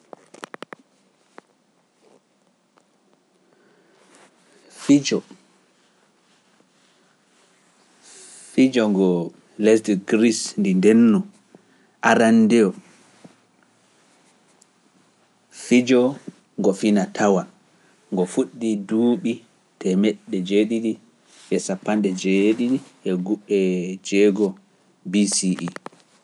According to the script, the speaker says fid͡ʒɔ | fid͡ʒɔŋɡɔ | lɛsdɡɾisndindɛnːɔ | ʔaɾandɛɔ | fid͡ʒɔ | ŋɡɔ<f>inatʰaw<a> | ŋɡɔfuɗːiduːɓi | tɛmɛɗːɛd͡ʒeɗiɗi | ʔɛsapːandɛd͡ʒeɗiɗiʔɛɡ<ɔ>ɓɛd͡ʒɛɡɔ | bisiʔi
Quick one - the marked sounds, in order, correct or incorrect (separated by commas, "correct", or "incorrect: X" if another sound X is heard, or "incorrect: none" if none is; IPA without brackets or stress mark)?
correct, correct, incorrect: u